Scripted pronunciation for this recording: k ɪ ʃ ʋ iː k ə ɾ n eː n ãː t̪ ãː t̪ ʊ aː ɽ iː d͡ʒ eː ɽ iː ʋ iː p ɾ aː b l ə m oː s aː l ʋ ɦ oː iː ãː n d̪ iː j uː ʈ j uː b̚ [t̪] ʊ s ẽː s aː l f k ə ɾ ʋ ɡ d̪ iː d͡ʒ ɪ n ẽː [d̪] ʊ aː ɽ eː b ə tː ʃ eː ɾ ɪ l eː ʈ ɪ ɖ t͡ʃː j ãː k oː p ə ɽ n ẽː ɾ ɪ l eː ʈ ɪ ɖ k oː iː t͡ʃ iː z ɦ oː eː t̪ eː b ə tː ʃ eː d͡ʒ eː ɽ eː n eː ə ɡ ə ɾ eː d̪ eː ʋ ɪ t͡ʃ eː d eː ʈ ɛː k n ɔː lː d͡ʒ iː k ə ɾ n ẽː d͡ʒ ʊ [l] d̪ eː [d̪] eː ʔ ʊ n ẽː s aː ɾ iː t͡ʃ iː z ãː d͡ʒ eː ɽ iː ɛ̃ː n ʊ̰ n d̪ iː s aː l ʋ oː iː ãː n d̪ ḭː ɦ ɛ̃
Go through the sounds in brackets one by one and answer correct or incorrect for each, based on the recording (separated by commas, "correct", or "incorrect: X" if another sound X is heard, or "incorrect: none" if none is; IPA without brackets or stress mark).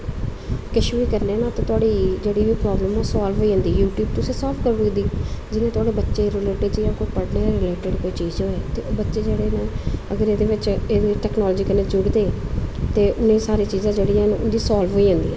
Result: correct, incorrect: t̪, incorrect: ɽ, incorrect: t̪